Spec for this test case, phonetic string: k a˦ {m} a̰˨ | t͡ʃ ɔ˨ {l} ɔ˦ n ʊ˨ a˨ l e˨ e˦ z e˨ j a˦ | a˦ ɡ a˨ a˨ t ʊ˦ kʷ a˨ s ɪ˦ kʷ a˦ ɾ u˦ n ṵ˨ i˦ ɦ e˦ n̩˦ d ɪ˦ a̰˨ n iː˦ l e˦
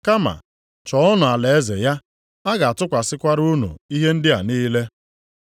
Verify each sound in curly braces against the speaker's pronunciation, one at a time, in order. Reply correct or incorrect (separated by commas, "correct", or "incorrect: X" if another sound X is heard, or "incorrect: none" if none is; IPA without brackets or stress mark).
correct, incorrect: none